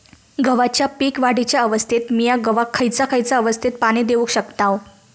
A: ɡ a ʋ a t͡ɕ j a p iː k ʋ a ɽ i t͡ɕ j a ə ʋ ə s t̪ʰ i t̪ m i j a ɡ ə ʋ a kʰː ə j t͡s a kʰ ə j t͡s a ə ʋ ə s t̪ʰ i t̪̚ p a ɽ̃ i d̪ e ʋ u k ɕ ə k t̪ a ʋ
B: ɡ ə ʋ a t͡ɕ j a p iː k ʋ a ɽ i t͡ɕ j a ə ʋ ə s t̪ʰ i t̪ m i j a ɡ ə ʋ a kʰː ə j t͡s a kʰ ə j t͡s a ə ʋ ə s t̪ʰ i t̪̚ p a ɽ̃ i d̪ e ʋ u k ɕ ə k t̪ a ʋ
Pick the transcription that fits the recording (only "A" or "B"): B